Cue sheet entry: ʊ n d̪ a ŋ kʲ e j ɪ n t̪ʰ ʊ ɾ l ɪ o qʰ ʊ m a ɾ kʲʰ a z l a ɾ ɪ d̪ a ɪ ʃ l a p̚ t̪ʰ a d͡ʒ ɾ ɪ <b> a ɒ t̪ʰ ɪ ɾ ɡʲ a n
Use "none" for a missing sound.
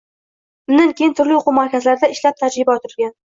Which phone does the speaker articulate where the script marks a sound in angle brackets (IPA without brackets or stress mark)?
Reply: b